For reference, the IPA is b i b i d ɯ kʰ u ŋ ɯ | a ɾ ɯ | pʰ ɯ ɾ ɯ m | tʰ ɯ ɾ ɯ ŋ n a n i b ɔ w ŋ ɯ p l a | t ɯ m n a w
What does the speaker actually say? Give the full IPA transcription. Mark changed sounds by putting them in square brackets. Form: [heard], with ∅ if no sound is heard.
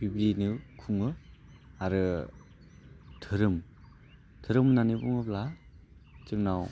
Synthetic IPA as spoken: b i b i [n] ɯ kʰ u ŋ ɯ | a ɾ ɯ | [tʰ] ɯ ɾ ɯ m | tʰ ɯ ɾ ɯ [m] n a n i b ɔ [∅] ŋ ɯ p l a | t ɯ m n a w